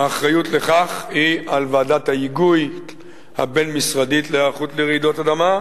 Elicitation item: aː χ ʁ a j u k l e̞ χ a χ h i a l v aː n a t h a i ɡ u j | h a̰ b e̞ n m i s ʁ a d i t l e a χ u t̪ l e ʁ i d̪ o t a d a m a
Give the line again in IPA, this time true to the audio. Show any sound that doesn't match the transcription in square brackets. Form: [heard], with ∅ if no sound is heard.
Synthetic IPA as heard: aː χ ʁ a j u [t] l e̞ χ a χ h i a l v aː [d] a t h a i ɡ u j | h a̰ b e̞ n m i s ʁ a d i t l e a χ u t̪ l e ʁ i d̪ o t a d a m a